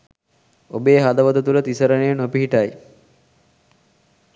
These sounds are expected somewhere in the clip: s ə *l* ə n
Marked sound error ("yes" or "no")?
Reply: yes